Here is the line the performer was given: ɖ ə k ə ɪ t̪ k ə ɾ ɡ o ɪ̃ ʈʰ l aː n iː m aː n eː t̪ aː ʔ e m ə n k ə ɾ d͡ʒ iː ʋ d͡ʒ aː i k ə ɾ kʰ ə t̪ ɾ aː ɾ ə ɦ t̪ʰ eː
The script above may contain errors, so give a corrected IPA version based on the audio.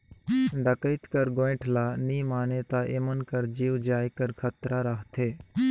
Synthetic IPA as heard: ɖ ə k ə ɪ t̪ k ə ɾ ɡ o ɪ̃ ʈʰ l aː n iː m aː n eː t̪ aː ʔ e m ə n k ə ɾ d͡ʒ iː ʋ d͡ʒ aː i k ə ɾ kʰ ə t̪ ɾ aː ɾ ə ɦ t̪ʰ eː